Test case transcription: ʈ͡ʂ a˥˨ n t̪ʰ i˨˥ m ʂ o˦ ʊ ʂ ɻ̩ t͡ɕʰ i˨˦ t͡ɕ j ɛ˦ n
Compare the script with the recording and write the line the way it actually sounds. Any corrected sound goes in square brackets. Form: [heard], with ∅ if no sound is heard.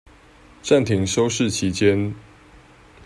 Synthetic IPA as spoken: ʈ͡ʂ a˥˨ n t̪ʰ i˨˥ [ŋ] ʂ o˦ ʊ ʂ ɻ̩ t͡ɕʰ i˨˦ t͡ɕ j ɛ˦ n